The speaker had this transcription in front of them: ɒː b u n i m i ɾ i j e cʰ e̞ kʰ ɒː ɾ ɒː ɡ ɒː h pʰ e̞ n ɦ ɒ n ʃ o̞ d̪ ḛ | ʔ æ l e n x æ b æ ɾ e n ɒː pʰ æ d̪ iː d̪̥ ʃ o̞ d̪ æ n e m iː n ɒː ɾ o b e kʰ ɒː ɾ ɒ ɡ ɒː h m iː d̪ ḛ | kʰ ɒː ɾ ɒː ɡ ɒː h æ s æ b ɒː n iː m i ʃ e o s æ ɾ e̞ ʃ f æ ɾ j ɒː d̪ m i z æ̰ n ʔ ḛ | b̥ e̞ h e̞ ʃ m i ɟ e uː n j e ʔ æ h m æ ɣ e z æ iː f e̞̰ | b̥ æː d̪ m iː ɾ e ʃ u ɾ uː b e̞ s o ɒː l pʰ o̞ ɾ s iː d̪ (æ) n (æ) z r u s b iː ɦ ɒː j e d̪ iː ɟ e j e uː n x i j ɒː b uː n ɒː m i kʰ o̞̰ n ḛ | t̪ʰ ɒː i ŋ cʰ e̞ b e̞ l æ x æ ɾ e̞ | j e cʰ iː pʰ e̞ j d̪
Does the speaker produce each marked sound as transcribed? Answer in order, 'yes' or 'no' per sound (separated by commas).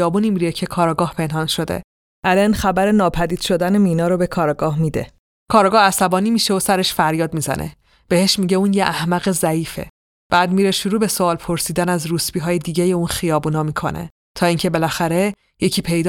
yes, yes